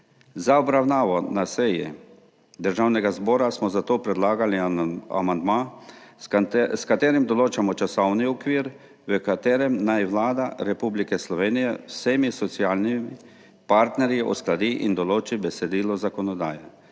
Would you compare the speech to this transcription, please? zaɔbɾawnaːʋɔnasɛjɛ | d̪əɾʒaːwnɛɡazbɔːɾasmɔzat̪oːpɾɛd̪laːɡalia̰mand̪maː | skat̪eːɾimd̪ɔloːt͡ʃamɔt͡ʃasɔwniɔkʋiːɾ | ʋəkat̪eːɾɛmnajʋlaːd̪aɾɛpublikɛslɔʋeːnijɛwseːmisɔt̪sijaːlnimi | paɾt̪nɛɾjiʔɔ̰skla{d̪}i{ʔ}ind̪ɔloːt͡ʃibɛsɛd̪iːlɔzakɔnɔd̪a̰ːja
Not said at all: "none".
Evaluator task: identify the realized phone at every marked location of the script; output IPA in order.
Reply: d̪, ʔ

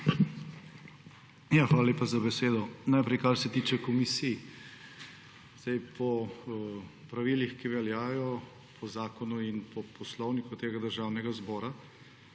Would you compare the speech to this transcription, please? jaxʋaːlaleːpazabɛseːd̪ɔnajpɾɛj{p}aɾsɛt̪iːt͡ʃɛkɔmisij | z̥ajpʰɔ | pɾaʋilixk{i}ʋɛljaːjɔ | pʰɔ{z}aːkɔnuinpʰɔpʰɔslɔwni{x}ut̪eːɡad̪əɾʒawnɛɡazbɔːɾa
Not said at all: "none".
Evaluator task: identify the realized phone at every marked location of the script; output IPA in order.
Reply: k, i, z, k

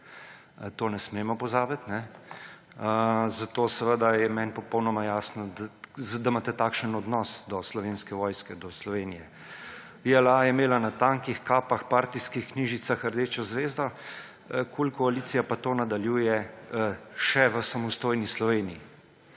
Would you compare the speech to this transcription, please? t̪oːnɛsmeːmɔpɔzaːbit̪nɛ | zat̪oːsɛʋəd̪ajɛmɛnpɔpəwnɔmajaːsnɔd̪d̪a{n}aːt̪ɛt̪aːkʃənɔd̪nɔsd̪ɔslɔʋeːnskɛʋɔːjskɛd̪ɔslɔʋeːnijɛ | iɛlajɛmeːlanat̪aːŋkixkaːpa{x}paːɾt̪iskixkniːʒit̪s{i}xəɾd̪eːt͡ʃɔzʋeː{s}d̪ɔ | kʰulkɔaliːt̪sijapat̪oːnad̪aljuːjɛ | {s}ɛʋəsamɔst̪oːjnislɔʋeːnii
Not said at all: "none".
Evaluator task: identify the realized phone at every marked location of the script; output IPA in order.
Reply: m, x, a, z, ʃ

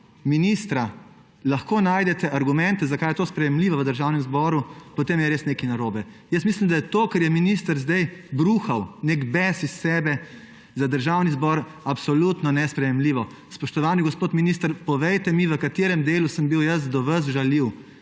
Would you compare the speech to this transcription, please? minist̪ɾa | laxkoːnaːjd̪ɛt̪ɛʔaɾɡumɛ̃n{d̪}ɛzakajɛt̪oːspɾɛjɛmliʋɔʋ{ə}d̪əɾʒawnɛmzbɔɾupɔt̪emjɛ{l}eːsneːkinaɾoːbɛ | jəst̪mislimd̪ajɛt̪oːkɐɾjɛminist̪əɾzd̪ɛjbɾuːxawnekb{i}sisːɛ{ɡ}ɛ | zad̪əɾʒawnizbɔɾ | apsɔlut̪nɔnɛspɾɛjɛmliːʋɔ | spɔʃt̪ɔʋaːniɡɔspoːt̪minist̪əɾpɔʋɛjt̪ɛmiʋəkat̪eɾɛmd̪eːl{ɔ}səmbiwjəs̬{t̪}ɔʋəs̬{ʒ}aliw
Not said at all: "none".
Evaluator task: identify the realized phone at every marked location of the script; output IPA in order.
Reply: t̪, ə, ɾ, ɛ, b, u, d̪, ʒ

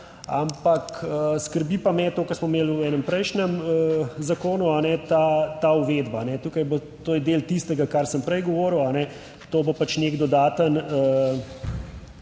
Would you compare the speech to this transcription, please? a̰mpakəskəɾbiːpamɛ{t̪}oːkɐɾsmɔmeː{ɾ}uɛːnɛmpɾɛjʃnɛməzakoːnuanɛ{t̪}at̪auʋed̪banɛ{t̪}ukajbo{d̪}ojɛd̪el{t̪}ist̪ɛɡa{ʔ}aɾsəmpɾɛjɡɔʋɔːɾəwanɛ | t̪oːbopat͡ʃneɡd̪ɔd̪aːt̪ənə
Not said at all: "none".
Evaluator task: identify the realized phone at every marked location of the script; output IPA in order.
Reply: t̪, l, t̪, t̪, t̪, t̪, k

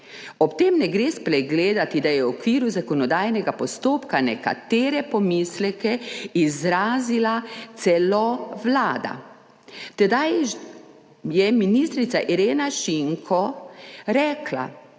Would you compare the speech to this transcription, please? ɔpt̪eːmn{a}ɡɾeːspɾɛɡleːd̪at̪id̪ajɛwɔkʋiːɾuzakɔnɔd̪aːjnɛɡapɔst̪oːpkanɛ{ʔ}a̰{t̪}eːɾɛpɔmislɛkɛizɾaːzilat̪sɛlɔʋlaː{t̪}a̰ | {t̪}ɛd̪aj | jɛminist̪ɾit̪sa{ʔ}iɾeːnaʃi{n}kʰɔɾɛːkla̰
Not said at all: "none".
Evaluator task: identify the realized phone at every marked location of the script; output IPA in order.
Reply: ɛ, k, t̪, d̪, t̪, ʔ, ŋ

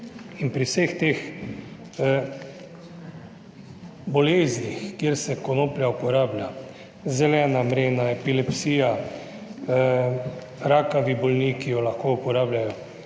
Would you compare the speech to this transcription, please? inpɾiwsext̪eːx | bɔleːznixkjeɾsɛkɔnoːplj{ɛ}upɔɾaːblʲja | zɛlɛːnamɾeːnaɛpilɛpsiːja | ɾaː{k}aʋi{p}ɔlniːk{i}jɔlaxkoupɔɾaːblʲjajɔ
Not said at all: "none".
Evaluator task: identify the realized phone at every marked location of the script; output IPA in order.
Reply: a, k, b, i

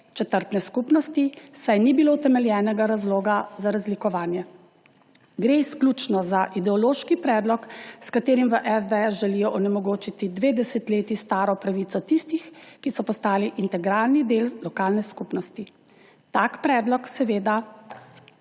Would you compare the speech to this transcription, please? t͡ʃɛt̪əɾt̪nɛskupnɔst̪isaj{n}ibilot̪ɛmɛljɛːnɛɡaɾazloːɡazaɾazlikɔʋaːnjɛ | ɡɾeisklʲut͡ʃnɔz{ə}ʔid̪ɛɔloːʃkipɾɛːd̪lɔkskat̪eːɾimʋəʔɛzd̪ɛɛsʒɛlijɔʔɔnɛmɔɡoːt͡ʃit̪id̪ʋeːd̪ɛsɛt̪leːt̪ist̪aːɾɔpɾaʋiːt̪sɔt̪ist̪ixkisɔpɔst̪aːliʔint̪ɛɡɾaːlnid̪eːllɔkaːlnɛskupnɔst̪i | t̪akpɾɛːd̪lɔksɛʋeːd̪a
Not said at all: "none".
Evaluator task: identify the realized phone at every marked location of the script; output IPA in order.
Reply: n, a

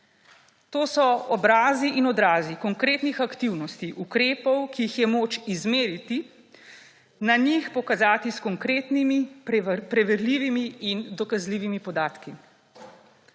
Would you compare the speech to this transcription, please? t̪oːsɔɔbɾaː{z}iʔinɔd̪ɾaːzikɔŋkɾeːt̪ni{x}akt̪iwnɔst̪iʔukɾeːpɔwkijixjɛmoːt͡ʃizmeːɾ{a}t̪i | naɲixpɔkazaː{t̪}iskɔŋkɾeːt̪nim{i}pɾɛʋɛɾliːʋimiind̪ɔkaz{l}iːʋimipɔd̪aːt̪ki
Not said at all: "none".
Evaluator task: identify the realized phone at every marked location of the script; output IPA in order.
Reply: z, x, i, t̪, i, l

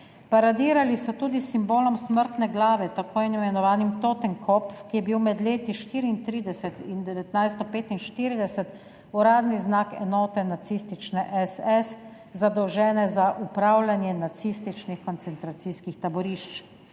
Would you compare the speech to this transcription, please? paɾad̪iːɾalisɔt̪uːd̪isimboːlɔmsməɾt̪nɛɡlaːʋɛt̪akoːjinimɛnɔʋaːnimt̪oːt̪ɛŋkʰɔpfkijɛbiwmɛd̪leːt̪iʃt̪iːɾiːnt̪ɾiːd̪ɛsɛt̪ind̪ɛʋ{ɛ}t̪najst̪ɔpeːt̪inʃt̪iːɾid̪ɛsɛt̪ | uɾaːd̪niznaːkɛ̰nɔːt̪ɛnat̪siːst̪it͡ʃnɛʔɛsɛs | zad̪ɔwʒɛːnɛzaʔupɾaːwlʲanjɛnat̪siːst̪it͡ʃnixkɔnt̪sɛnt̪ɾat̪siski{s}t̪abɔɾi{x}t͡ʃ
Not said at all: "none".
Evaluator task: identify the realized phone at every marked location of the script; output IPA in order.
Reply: ɛ, x, ʃ

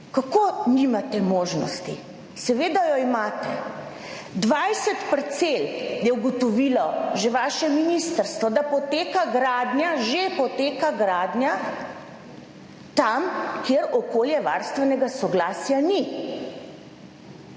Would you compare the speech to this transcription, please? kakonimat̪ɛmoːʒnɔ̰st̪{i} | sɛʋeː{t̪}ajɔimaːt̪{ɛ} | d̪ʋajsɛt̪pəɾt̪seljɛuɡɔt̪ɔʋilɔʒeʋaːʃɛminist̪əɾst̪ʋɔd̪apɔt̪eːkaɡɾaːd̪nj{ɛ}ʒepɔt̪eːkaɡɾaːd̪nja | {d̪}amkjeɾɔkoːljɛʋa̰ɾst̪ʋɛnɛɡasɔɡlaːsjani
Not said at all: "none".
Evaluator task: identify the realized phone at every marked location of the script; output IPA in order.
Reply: i, d̪, ɛ, a, t̪

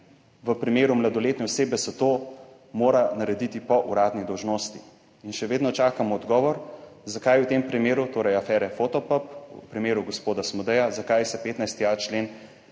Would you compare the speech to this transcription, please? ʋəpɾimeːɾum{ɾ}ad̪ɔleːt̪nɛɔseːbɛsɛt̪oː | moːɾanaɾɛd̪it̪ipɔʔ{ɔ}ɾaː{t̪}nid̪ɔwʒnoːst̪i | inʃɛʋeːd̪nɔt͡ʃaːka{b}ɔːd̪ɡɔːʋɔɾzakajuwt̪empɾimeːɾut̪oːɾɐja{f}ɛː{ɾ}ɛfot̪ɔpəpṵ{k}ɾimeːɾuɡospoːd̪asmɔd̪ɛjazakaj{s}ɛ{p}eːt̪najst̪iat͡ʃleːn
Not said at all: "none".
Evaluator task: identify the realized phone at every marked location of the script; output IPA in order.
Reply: l, u, d̪, m, f, ɾ, p, s, p

